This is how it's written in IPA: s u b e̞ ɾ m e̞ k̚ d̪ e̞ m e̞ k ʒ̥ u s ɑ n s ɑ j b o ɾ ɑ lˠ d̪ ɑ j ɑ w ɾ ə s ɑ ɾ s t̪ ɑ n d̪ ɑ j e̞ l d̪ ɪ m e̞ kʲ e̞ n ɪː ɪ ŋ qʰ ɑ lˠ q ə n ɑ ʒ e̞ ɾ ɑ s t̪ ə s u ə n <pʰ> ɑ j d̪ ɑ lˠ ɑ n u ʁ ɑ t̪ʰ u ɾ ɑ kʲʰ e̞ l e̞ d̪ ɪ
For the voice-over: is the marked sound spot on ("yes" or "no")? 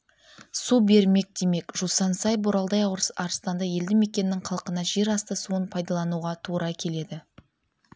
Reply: yes